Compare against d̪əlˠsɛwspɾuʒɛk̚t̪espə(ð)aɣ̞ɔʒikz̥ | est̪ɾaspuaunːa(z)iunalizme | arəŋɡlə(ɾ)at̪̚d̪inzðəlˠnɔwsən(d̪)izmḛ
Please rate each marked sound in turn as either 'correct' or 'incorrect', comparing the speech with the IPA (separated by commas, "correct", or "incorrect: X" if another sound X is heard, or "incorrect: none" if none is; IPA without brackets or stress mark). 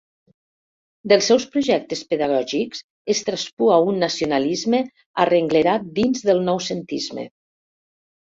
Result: correct, incorrect: s, correct, incorrect: t̪